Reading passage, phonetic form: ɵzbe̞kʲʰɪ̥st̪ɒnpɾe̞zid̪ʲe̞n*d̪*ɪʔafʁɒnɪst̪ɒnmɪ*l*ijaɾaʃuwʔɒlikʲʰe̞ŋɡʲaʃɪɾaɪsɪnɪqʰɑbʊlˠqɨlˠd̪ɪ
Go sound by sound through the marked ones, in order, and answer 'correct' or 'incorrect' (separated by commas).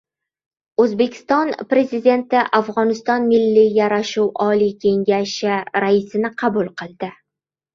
incorrect, incorrect